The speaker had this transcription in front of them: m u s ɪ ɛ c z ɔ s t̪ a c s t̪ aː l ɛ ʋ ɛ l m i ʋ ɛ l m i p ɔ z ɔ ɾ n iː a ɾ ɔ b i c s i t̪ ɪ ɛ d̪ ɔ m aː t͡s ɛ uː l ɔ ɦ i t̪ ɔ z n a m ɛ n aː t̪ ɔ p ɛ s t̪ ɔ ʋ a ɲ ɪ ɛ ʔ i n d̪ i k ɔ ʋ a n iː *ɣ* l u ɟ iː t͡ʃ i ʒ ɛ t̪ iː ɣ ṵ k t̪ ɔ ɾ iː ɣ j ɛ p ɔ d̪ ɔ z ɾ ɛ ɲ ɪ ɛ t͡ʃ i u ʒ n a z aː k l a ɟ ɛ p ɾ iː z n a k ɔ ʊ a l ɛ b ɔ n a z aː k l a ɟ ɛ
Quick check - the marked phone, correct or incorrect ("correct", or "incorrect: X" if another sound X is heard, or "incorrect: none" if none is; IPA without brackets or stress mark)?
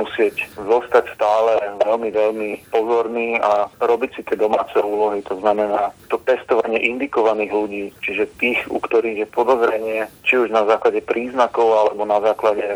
correct